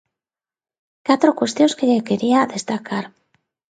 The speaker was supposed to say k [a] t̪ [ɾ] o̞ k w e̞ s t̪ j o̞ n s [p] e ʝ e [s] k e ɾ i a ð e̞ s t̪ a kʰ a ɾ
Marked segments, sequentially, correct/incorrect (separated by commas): correct, correct, incorrect, incorrect